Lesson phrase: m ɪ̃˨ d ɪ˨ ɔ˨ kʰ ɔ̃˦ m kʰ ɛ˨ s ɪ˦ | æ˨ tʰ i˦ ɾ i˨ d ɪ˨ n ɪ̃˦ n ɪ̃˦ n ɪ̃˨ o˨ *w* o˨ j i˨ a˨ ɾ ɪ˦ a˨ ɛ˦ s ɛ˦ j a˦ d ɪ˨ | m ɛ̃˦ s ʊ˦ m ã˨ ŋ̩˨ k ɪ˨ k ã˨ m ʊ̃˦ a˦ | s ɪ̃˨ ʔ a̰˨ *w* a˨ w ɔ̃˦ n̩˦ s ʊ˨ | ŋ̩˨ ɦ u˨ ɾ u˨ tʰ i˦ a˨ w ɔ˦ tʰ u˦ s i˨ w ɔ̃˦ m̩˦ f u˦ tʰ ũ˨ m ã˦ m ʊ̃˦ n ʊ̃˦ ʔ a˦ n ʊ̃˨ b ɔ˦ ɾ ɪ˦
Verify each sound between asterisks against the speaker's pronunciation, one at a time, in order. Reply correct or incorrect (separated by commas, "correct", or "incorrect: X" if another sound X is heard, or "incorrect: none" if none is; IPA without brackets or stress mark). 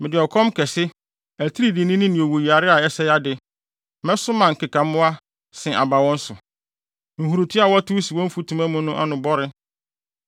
correct, incorrect: b